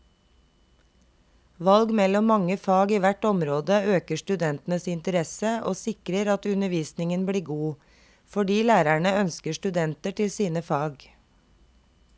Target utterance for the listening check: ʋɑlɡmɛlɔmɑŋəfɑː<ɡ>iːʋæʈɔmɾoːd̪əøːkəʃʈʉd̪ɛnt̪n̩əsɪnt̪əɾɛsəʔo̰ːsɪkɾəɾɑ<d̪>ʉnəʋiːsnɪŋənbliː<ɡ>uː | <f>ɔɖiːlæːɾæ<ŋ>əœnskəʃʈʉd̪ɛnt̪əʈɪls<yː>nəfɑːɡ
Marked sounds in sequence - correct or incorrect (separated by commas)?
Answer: correct, incorrect, correct, correct, incorrect, incorrect